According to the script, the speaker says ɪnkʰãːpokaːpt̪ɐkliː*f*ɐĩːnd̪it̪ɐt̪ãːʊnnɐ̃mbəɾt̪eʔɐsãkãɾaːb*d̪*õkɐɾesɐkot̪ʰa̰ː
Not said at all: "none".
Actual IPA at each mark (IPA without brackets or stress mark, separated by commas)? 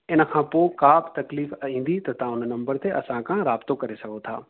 f, t̪